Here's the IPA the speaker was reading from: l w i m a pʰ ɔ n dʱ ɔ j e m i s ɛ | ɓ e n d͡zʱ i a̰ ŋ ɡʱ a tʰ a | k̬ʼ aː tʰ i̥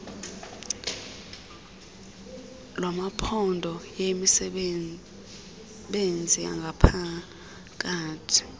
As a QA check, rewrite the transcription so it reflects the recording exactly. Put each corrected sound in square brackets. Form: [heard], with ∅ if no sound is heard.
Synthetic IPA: l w [a] m a pʰ ɔ n dʱ ɔ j e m i s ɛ | ɓ e n d͡zʱ i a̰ ŋ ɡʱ a [pʰ] a | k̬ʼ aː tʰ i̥